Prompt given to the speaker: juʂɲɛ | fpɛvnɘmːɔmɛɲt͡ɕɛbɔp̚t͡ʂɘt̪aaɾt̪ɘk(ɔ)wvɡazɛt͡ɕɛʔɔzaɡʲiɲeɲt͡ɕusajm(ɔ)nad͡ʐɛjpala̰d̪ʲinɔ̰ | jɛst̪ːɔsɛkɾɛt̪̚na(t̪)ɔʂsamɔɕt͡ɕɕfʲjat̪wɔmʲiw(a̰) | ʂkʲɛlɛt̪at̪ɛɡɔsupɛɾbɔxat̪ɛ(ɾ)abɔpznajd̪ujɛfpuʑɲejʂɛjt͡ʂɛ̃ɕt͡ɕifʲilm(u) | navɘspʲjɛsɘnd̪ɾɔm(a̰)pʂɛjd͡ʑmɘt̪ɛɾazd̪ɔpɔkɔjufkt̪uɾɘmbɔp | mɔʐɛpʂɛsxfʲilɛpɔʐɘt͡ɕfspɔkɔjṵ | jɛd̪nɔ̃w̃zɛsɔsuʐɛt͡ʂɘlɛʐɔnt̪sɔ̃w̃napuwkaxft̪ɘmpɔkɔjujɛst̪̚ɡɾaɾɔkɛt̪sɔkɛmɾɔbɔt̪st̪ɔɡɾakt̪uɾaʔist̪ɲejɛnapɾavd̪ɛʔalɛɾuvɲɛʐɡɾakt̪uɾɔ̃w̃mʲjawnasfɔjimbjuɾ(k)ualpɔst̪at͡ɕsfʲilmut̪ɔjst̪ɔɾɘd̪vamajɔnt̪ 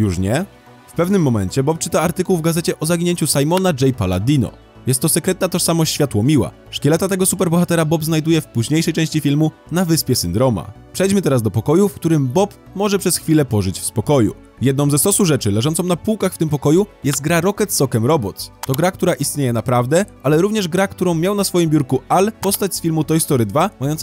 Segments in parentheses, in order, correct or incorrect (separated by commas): incorrect, correct, correct, correct, correct, correct, correct, correct